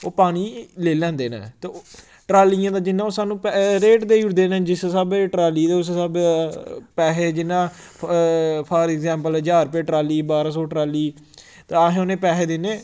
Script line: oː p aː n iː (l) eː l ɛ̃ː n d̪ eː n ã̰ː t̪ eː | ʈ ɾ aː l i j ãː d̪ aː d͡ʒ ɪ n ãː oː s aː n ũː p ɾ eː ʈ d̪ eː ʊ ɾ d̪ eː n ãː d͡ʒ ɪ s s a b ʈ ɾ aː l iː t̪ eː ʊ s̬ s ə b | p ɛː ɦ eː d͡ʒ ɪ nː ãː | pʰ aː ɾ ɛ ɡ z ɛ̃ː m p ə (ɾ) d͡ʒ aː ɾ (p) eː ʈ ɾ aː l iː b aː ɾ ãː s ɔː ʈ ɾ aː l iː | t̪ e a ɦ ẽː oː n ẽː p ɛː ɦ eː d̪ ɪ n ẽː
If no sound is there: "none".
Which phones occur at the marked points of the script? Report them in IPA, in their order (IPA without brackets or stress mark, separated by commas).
l, l, p